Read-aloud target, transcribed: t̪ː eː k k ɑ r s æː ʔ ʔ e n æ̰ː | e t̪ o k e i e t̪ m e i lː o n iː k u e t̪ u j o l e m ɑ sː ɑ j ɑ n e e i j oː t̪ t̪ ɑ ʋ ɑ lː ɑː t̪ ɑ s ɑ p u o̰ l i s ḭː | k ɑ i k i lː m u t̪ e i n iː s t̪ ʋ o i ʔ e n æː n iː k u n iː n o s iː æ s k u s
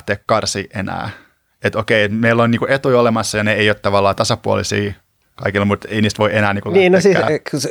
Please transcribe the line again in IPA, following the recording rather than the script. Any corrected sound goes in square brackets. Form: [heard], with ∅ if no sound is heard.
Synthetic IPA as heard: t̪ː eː k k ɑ r s [iː] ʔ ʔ e n æ̰ː | e t̪ o k e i e t̪ m e i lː o n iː k u e t̪ u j o l e m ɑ sː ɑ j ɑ n e e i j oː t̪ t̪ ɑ ʋ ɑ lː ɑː t̪ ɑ s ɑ p u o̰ l i s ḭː | k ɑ i k i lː m u t̪ e i n iː s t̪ ʋ o i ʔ e n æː n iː k u n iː n o s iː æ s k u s